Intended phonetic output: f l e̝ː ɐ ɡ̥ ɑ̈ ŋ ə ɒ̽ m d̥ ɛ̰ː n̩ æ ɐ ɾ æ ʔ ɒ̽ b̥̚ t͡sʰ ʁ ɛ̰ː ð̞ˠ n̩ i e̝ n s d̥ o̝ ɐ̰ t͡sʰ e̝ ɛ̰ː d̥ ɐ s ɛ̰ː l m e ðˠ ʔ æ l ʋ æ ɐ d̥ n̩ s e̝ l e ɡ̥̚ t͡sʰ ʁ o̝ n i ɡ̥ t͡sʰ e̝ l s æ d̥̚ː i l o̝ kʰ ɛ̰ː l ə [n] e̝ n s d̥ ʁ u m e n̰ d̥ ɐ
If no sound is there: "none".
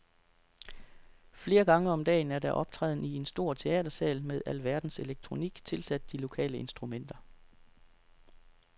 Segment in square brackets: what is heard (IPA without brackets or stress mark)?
none